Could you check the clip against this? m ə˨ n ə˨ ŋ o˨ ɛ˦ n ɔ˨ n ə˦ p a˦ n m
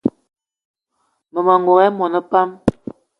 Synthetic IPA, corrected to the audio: m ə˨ m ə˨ ŋ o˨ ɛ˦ m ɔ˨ n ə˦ p a˦ m